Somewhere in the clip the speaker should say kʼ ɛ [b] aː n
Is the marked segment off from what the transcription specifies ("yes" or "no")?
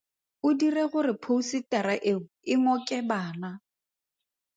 no